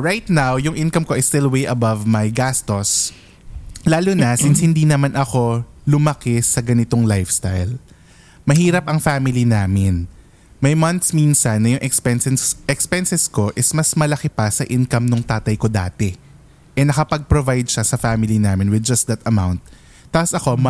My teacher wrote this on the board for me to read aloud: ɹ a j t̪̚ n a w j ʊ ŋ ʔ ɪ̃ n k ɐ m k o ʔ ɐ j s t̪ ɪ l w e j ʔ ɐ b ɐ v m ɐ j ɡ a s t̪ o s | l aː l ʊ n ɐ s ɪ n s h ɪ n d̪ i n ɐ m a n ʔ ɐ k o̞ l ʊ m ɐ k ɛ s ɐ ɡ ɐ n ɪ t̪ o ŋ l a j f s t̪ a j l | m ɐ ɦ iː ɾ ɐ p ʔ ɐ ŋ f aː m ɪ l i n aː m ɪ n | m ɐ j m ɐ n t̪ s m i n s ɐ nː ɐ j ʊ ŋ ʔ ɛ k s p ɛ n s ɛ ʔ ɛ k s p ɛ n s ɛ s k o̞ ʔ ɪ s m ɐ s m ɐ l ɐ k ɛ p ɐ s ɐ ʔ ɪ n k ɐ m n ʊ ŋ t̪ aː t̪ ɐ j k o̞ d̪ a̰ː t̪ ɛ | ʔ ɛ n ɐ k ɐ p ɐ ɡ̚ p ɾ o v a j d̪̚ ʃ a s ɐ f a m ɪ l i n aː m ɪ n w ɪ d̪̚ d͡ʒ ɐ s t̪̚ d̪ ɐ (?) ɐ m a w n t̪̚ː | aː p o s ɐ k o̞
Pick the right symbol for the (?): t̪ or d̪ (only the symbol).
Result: t̪